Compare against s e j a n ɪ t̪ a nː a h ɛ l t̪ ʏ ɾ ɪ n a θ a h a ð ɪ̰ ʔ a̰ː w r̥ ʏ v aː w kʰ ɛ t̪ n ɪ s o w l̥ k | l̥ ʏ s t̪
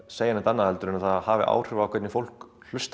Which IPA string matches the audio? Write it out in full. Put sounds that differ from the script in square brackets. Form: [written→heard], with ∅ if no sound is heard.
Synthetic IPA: s e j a n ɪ t̪ a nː a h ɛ l t̪ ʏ ɾ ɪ n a θ a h a [ð→v] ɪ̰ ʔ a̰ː w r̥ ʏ v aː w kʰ ɛ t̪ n ɪ [s→f] o w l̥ k | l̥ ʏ s t̪

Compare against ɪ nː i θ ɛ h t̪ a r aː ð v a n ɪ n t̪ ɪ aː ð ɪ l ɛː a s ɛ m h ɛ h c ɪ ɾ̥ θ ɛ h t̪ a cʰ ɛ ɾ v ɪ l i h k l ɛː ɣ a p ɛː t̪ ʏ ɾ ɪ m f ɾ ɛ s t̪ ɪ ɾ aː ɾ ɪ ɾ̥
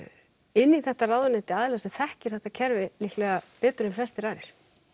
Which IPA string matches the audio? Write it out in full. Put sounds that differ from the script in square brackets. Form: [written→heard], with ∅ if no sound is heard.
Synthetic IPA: ɪ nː i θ ɛ h t̪ a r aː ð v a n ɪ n t̪ ɪ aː ð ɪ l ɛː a s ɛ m [h→θ] ɛ h c ɪ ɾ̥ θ ɛ h t̪ a cʰ ɛ ɾ v ɪ l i h k l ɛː ɣ a p ɛː t̪ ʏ ɾ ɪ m f [ɾ→l] ɛ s t̪ ɪ ɾ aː ɾ ɪ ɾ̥

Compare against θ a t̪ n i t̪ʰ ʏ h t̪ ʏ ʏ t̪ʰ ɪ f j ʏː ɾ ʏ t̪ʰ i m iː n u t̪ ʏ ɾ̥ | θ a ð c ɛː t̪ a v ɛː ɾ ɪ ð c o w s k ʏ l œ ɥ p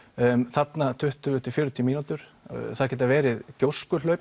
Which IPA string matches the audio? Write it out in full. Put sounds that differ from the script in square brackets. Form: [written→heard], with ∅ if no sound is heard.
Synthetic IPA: θ a t̪ n [i→a] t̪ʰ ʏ h t̪ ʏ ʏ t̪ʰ ɪ f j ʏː ɾ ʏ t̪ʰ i m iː n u t̪ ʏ ɾ̥ | θ a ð c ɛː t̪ a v ɛː ɾ ɪ ð c o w s k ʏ l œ ɥ p

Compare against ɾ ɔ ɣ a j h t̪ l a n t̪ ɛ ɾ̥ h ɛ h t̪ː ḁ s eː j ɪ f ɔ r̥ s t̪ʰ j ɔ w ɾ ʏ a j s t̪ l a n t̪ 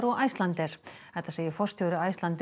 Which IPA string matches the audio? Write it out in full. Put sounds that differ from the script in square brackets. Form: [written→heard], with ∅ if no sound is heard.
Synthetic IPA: ɾ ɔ ɣ a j [h→s] t̪ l a n t̪ ɛ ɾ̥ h ɛ h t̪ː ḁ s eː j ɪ f ɔ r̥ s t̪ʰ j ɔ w ɾ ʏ a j s t̪ l a n t̪

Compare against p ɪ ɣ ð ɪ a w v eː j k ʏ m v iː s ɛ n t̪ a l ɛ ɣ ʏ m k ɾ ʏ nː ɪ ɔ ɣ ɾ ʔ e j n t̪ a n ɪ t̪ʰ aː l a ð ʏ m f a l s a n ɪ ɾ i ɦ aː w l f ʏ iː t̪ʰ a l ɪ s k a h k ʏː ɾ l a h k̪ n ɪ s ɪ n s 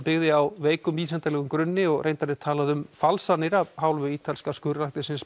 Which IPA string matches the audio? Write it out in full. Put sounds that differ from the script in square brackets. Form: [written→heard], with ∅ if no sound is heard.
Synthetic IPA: p ɪ ɣ ð ɪ a w v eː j k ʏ m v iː s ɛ n t̪ a l ɛ ɣ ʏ m k ɾ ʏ nː ɪ ɔ ɣ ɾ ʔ e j n t̪ a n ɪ t̪ʰ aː l a ð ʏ m f a l s a n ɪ ɾ [i→a] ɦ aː w l [f→v] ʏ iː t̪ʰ a l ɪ s k a [h→s] k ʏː ɾ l a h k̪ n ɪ s ɪ n s

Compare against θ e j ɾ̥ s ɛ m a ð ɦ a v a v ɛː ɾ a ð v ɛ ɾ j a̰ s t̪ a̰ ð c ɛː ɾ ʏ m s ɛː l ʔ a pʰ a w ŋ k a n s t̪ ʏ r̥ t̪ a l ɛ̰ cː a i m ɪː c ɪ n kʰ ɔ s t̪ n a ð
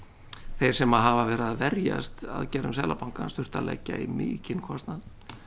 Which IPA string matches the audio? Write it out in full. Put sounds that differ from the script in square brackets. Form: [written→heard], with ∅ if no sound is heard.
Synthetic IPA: θ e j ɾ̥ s ɛ m a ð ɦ a v a v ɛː ɾ a ð v ɛ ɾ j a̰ s t̪ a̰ ð c ɛː ɾ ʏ m s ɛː l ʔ a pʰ a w ŋ k a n s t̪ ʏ r̥ t̪ a l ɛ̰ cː a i m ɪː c ɪ n kʰ ɔ s t̪ n a ð

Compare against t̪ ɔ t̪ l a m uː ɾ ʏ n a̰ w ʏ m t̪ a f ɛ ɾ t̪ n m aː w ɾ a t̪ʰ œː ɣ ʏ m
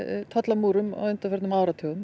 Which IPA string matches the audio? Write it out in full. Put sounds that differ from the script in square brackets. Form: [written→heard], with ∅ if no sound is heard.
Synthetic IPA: [t̪→t̪ʰ] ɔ t̪ l a m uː ɾ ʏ [n→m] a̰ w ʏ [m→n] t̪ a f ɛ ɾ t̪ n m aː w ɾ a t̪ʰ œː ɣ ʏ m

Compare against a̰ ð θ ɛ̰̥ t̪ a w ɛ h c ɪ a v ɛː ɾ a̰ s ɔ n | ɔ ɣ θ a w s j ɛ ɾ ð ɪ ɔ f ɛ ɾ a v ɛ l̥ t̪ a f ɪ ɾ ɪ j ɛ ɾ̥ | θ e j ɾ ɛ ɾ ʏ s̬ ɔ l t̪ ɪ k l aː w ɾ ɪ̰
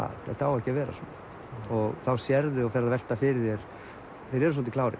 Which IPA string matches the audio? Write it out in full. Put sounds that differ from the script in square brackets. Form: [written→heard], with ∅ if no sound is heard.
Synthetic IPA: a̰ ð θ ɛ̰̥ t̪ a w ɛ h c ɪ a v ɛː ɾ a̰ s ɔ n | ɔ ɣ θ a w s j ɛ ɾ ð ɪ ɔ f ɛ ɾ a v ɛ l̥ t̪ a f ɪ ɾ ɪ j ɛ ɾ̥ | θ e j ɾ ɛ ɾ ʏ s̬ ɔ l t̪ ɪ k l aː w ɾ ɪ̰

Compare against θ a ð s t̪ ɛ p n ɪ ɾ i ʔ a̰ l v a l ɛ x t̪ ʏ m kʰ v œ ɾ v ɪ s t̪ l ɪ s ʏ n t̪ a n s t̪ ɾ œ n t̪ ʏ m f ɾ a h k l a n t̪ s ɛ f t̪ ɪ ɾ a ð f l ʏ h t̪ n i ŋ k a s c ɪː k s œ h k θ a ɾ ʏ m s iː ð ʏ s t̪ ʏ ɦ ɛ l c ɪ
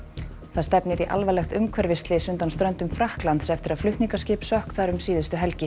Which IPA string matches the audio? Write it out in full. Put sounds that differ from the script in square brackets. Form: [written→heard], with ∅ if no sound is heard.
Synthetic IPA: θ a ð s t̪ ɛ p n ɪ ɾ i ʔ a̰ l v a l ɛ x t̪ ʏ m kʰ v [œ→ɛ] ɾ v ɪ s t̪ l ɪ s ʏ n t̪ a n s t̪ ɾ œ n t̪ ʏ m f ɾ a h k l a n t̪ s ɛ f t̪ ɪ ɾ a ð f l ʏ h t̪ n i ŋ k a s c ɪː [k→p] s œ h k θ a ɾ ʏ m s iː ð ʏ s t̪ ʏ ɦ ɛ l c ɪ

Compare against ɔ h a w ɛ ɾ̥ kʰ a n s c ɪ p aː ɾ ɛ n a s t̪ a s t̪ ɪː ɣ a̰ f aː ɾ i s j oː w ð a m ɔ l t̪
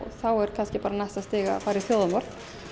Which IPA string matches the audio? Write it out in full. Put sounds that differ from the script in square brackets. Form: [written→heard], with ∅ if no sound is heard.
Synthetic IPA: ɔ [h→θ] a w ɛ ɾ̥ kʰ a n s c ɪ p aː ɾ [ɛ→a] n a s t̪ a s t̪ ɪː ɣ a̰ f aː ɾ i [s→θ] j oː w ð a m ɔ [l→ɾ] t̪

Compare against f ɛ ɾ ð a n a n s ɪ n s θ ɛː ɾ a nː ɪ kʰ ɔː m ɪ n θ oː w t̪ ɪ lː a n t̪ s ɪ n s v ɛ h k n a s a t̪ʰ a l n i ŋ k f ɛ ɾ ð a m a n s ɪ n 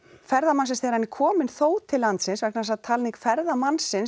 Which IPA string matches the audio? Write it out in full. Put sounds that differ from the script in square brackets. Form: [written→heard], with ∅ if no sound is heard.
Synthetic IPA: f ɛ ɾ ð a [n→m] a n s ɪ n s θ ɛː ɾ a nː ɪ kʰ ɔː m ɪ n θ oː w [t̪→t̪ʰ] ɪ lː a n t̪ s ɪ n s v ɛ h k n a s a t̪ʰ a l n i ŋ k f ɛ ɾ ð a m a n s ɪ n

